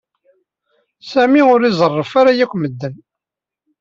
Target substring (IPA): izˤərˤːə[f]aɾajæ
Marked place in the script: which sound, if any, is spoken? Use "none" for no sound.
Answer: f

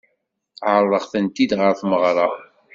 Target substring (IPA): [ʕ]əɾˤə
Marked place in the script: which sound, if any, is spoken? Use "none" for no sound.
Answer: ʕ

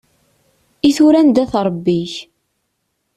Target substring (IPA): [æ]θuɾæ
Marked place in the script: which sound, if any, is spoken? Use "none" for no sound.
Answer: i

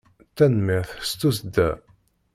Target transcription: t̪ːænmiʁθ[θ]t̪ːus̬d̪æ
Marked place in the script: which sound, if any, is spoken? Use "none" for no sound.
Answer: s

